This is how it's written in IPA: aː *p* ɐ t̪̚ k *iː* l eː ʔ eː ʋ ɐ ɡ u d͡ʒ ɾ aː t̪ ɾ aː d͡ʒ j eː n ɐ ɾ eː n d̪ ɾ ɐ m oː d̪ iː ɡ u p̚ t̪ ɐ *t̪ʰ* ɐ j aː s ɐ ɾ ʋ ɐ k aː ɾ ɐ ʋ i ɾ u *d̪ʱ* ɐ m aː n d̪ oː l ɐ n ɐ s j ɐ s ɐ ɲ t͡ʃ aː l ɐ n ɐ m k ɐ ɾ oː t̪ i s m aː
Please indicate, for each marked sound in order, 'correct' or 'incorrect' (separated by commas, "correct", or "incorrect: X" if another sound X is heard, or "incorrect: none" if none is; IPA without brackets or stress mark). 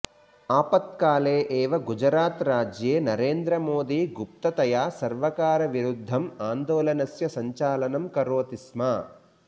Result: correct, incorrect: aː, incorrect: t̪, incorrect: d̪ʱː